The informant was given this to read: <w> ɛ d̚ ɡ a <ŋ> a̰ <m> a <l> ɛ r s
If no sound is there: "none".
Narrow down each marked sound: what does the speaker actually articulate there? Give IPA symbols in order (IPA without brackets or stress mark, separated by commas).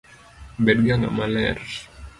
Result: b, ŋ, m, l